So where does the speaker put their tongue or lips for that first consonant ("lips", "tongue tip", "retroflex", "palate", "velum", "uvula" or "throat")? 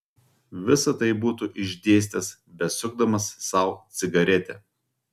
lips